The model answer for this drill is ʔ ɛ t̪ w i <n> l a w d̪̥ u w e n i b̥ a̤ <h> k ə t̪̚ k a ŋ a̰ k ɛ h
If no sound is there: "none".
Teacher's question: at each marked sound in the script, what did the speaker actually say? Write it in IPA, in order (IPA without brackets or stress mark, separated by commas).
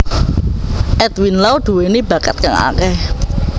n, none